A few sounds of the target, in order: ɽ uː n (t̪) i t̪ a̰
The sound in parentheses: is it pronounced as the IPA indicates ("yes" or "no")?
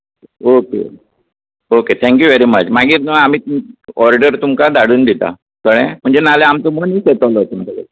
no